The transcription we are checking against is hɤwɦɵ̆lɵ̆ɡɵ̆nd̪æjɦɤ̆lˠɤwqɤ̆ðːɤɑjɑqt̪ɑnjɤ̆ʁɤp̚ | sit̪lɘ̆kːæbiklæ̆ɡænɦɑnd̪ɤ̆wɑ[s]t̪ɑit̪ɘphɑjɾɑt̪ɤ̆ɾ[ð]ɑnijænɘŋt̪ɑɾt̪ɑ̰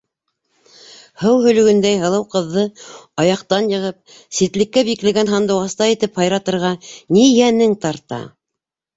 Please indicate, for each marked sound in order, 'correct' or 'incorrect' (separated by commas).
correct, incorrect